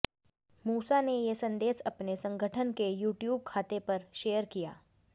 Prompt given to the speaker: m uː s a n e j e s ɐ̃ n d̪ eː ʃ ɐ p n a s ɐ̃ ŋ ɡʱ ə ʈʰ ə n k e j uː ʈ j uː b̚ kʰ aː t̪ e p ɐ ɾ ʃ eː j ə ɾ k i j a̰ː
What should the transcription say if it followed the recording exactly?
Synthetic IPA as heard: m uː s a n e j e s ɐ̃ n d̪ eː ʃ ɐ p n e s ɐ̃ ŋ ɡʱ ə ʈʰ ə n k e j uː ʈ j uː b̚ kʰ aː t̪ e p ɐ ɾ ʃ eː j ə ɾ k i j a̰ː